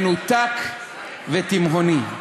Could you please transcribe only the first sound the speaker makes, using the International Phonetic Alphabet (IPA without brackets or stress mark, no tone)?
n